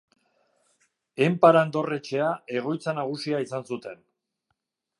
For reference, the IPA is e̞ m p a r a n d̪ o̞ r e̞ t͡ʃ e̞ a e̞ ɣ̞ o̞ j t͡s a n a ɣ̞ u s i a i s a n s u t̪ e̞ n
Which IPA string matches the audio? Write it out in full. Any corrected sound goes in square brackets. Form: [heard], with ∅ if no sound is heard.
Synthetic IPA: e̞ m p a [ɾ] a n d̪ o̞ r e̞ t͡ʃ e̞ a e̞ ɣ̞ o̞ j t͡s a n a ɣ̞ u s i a i s a n s u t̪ e̞ n